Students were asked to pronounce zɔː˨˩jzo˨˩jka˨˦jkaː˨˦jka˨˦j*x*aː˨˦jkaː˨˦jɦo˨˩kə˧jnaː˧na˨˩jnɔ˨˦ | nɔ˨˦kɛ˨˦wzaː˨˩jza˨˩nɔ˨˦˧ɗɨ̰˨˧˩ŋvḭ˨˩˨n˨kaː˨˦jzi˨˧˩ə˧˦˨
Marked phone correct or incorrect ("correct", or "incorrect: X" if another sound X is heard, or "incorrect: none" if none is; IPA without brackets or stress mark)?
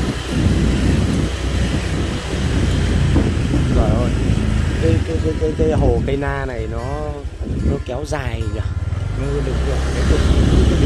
incorrect: k